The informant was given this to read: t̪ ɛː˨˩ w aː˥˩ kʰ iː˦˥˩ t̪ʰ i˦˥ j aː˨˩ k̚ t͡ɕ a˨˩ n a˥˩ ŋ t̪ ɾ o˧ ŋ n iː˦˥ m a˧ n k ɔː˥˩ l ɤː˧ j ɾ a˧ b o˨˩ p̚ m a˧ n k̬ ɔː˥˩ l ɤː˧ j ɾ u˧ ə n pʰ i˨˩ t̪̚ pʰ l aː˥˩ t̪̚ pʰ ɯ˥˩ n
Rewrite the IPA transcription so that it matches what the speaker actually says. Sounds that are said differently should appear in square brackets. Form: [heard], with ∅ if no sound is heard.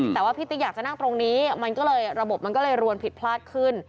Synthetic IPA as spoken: t̪ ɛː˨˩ w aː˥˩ [pʰ] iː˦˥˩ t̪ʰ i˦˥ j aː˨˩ k̚ t͡ɕ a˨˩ n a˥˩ ŋ t̪ ɾ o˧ ŋ n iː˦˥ m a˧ n k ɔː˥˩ l ɤː˧ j ɾ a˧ b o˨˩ p̚ m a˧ n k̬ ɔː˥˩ l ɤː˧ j ɾ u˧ ə n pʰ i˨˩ t̪̚ pʰ l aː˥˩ t̪̚ [kʰ] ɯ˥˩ n